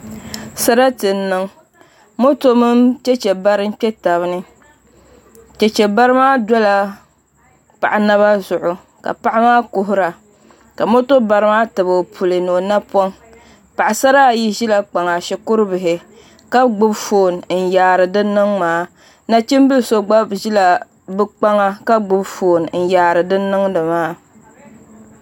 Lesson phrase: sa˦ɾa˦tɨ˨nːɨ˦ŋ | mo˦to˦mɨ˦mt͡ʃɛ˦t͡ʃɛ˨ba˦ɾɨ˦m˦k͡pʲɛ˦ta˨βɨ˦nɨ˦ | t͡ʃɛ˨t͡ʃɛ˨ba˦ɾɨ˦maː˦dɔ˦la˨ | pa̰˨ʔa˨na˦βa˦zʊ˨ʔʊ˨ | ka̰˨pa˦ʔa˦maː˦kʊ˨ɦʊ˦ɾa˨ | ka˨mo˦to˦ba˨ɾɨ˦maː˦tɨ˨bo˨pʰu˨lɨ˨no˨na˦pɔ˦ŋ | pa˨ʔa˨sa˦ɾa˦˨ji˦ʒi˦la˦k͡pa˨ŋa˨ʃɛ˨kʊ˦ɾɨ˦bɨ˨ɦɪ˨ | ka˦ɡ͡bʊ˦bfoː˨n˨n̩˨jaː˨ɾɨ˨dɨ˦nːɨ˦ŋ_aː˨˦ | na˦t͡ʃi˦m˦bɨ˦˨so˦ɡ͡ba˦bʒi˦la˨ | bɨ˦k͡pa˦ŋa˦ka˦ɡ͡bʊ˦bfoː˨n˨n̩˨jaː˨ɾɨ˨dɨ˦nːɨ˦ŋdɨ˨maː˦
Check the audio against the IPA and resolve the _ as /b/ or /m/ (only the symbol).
m